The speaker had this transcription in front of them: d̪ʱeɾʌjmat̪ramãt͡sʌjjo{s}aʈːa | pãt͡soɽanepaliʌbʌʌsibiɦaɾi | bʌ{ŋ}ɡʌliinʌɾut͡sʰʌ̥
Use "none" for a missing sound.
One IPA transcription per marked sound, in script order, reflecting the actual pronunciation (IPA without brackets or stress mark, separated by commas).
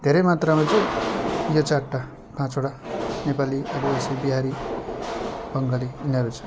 t͡s, ŋ